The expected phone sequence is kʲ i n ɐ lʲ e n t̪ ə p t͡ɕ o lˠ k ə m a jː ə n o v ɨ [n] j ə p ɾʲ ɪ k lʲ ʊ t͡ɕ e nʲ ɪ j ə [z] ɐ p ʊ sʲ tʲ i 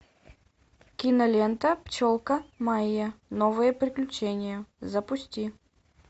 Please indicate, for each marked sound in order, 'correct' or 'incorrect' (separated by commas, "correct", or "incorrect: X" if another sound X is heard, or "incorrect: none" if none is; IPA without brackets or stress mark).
incorrect: none, correct